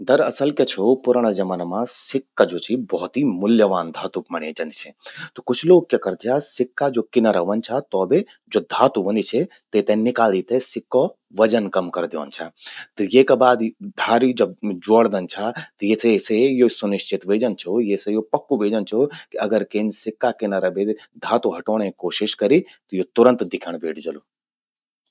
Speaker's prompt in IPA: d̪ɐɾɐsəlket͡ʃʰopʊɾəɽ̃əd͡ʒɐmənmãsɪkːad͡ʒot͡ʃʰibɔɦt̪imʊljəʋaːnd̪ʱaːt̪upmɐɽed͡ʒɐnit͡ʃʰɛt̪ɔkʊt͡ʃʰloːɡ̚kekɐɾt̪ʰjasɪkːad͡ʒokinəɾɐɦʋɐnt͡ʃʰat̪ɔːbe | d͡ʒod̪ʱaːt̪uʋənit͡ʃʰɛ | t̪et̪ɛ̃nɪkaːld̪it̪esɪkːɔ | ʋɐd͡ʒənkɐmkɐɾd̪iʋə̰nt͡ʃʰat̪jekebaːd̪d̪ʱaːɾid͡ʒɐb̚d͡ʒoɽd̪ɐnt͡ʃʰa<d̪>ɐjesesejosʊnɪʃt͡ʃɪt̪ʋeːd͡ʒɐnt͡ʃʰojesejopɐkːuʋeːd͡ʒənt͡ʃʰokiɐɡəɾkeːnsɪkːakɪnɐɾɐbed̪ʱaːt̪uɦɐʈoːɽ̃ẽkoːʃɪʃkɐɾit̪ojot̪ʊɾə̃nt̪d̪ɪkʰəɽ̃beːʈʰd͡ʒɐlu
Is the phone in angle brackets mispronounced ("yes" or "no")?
yes